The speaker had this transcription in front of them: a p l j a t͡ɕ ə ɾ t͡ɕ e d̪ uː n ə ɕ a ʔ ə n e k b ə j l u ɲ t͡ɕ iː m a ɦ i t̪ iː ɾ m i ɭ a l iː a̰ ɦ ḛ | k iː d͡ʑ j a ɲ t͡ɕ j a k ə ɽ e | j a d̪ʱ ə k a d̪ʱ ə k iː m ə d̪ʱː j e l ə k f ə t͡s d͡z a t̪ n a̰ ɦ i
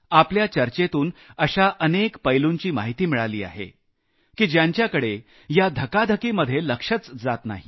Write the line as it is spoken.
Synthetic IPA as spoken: a p l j a t͡ɕ ə ɾ t͡ɕ e t̪ uː n ə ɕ a ʔ ə n e k p ə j l u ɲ t͡ɕ iː m a ɦ i t̪ iː m i ɭ a l iː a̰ ɦ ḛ | k iː d͡ʑ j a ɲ t͡ɕ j a k ə ɽ e | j a d̪ʱ ə k a d̪ʱ ə k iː m ə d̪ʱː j e l ə k ʂ ə t͡s d͡z a t̪ n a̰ ɦ i